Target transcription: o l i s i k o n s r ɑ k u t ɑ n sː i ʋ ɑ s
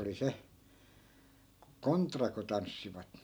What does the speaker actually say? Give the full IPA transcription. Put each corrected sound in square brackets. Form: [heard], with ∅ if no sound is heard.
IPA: o l i s [e] k o n [t] r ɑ k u t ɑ n sː i ʋ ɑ [t]